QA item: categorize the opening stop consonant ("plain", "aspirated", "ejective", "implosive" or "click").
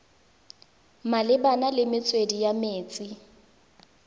plain